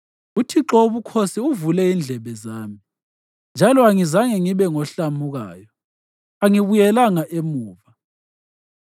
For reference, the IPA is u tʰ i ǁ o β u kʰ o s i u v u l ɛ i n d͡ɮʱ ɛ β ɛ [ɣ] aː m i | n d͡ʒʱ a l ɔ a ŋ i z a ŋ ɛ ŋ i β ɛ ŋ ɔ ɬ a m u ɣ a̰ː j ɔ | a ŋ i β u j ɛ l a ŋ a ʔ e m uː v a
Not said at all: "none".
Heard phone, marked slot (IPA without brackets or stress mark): z